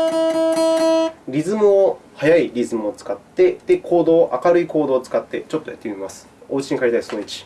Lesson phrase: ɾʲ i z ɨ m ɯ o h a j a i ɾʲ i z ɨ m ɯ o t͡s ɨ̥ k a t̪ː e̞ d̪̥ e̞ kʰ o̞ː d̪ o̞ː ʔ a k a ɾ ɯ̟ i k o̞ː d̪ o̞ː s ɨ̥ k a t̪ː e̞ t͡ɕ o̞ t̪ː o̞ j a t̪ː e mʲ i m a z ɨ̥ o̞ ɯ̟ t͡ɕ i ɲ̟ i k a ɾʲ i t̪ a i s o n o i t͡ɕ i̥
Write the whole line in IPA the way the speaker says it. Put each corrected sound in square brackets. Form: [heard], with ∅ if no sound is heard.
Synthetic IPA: ɾʲ i z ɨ m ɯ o h a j a i ɾʲ i z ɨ m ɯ o t͡s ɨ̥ k a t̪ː e̞ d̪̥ e̞ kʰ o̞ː d̪ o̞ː ʔ a k a ɾ ɯ̟ i k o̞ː d̪ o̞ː [t͡s] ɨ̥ k a t̪ː e̞ t͡ɕ o̞ t̪ː o̞ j a t̪ː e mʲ i m a [s] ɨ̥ o̞ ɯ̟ t͡ɕ i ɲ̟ i k a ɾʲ i t̪ a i s o n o i t͡ɕ i̥